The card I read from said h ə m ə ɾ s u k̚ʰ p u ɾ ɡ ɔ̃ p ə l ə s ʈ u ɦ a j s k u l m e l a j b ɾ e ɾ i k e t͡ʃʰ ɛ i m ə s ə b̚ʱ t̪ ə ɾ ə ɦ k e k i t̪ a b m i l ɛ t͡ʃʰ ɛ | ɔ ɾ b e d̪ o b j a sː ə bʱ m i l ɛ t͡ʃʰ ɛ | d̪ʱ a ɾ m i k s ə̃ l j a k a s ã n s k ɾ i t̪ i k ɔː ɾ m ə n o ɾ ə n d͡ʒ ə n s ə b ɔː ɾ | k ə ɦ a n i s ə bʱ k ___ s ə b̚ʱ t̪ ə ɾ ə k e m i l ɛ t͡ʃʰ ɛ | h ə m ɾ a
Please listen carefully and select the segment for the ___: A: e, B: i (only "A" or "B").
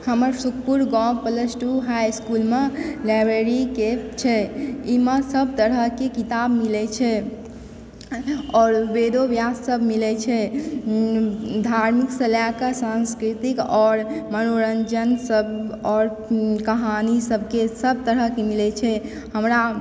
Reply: A